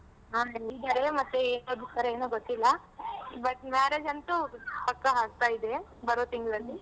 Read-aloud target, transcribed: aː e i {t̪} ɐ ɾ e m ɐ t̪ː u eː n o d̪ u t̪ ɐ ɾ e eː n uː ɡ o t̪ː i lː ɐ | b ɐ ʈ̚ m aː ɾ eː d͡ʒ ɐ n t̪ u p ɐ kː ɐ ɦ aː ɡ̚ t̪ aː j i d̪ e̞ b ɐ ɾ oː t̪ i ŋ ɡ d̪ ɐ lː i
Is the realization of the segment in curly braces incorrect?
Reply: yes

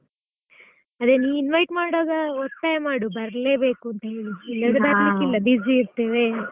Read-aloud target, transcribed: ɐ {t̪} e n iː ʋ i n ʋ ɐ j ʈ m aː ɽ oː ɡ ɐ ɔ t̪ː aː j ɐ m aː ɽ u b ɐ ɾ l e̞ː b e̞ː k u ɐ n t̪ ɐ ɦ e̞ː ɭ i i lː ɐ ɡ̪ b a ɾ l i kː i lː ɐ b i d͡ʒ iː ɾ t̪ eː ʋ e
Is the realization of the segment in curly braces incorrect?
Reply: yes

